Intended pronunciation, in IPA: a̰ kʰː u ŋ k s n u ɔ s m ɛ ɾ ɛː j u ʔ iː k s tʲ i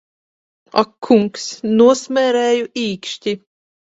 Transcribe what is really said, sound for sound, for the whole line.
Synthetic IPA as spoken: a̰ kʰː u ŋ k s n u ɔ s m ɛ ɾ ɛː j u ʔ iː k ʃ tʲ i